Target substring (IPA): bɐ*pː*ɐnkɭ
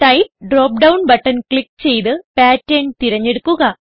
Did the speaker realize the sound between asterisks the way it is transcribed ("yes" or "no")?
no